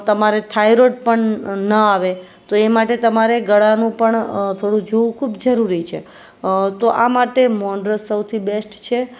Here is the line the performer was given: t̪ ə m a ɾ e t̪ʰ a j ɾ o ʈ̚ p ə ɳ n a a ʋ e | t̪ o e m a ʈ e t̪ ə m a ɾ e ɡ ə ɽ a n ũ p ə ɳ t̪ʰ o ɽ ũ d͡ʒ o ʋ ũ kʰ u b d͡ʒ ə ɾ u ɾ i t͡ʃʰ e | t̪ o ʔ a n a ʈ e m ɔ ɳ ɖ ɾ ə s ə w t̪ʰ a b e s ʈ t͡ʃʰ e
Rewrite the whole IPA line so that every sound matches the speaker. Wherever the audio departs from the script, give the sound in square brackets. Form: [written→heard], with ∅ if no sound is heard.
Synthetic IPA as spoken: t̪ ə m a ɾ e t̪ʰ a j ɾ o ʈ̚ p ə ɳ n [a→ə] a ʋ e | t̪ o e m a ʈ e t̪ ə m a ɾ e ɡ ə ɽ a n ũ p ə ɳ t̪ʰ o ɽ ũ d͡ʒ o ʋ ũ kʰ u b d͡ʒ ə ɾ u ɾ i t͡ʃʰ e | t̪ o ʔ a [n→m] a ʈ e m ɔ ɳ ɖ ɾ ə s ə w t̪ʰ [a→i] b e s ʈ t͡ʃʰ e